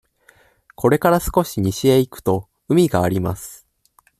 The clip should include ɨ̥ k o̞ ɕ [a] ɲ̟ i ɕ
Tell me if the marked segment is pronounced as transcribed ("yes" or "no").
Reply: no